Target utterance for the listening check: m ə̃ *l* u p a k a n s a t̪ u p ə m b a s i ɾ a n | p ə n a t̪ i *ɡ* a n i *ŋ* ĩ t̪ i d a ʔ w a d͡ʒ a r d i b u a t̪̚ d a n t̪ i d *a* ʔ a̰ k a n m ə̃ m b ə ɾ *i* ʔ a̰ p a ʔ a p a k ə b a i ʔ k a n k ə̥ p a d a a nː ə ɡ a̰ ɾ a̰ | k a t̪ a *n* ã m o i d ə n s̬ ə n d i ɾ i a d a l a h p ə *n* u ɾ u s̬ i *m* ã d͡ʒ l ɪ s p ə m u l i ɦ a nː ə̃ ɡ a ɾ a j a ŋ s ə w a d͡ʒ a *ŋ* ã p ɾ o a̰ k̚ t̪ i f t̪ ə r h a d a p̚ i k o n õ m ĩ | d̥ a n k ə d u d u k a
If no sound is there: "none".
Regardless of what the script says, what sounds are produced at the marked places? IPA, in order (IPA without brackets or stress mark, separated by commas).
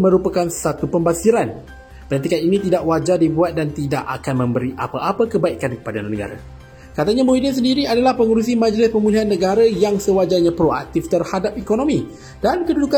ɾ, k, n, a, i, ɲ, ŋ, m, ɲ